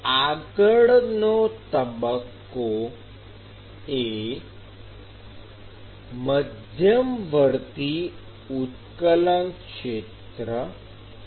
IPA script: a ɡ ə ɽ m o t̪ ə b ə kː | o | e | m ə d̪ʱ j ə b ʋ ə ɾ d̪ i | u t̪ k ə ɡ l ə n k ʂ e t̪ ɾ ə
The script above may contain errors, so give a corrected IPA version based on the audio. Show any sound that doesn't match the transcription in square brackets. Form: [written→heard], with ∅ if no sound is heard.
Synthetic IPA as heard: a ɡ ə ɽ [m→n] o t̪ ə b ə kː | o | e | m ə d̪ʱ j ə [b→m] ʋ ə ɾ [d̪→t̪] i | u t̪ k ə [ɡ→∅] l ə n k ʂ e t̪ ɾ ə